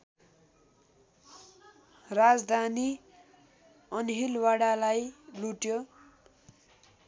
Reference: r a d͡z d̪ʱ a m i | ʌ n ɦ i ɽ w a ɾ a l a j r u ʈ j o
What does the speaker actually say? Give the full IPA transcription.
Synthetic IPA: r a d͡z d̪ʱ a n i | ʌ n ɦ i l w a ɽ a l a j l u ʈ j o

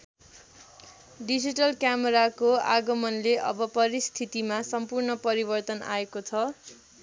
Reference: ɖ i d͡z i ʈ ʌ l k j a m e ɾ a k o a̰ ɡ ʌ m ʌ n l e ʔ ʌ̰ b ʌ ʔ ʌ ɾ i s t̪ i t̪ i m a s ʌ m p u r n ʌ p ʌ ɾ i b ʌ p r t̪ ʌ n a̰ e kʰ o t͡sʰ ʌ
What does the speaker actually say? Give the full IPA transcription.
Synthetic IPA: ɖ i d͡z i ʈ ʌ l k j a m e ɾ a k o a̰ ɡ ʌ m ʌ n l e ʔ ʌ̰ b ʌ p ʌ ɾ i s t̪ʰ i t̪ i m a s ʌ m p u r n ʌ p ʌ ɾ i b ʌ r t̪ ʌ n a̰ e k o t͡sʰ ʌ

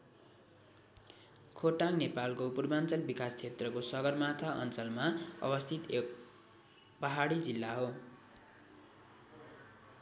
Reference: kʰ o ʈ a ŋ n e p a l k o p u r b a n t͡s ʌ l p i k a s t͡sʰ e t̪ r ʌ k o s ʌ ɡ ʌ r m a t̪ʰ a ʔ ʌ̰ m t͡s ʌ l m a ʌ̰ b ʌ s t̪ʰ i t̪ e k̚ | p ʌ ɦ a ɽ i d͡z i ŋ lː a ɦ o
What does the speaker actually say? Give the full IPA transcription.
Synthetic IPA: kʰ o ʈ a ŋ n e p a l k o p u r b a n t͡s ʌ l b i k a s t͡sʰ e t̪ r ʌ k o s ʌ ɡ ʌ r m a t̪ʰ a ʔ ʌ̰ n t͡s ʌ l m a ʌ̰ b ʌ s t̪ʰ i t̪ e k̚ | p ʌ ɦ a ɽ i d͡z i lː a ɦ o

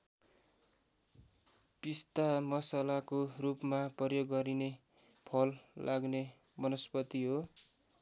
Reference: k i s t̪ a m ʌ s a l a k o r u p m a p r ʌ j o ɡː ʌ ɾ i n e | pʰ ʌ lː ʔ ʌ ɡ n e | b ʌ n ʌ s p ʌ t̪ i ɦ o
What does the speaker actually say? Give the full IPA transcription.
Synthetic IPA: p i s t̪ a m ʌ s a l a k o r u p m a p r ʌ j o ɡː ʌ ɾ i n e | pʰ ʌ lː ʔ a ɡ n e | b ʌ n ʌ s p ʌ t̪ i ɦ o

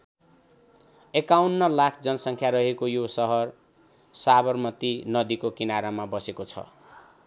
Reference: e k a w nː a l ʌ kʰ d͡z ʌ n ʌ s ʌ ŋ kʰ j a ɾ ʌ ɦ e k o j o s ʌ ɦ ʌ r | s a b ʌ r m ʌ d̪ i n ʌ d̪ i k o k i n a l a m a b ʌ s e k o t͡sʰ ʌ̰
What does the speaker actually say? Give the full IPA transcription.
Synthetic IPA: e k a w nː ʌ l a kʰ d͡z ʌ n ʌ s ʌ ŋ kʰ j a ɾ ʌ ɦ e k o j o s ʌ ɦ ʌ r | s a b ʌ r m ʌ t̪ i n ʌ d̪ i k o k i n a ɾ a m a b ʌ s e k o t͡sʰ ʌ̰

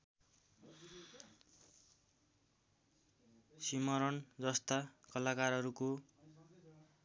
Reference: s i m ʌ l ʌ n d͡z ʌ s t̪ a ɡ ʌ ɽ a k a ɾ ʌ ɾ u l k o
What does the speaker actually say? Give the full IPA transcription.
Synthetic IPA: s i m ʌ ɾ ʌ n d͡z ʌ s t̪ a k ʌ l a k a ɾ ʌ ɾ u k o

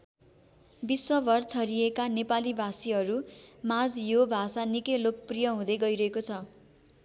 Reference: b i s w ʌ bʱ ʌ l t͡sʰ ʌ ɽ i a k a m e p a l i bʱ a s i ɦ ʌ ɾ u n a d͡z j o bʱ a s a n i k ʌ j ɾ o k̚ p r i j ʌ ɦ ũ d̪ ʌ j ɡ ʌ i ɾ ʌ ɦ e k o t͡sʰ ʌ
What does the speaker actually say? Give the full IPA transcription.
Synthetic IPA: b i s w ʌ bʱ ʌ r t͡sʰ ʌ ɾ i e k a n e p a l i bʱ a s i ɦ ʌ ɾ u m a d͡z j o bʱ a s a n i k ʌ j l o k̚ p r i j ʌ ɦ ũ d̪ ʌ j ɡ ʌ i ɾ ʌ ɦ e k o t͡sʰ ʌ

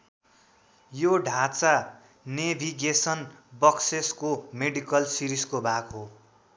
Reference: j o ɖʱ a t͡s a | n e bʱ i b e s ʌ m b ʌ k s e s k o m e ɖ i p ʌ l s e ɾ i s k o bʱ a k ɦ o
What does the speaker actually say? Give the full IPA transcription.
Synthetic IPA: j o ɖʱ a t͡s a | n e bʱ i ɡ e s ʌ n b ʌ k s e s k o m e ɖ i k ʌ l s i ɾ i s k o bʱ a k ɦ o

